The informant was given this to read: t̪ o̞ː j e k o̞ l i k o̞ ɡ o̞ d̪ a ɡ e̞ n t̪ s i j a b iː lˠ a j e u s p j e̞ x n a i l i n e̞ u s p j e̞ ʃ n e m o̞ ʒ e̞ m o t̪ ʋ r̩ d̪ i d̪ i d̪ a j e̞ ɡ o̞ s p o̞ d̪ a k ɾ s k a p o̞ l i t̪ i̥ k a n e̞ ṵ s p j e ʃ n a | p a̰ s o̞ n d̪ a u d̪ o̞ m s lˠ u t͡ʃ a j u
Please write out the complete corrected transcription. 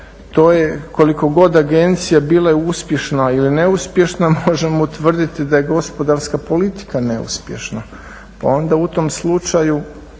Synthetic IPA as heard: t̪ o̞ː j e k o̞ l i k o̞ ɡ o̞ d̪ a ɡ e̞ n t̪ s i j a b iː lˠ a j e u s p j e̞ ʃ n a i l i n e̞ u s p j e̞ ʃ n a m o̞ ʒ e̞ m o t̪ ʋ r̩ d̪ i t̪ i d̪ a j e̞ ɡ o̞ s p o̞ d̪ a ɾ s k a p o̞ l i t̪ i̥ k a n e̞ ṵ s p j e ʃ n a | p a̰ o̞ n d̪ a u t̪ o̞ m s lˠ u t͡ʃ a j u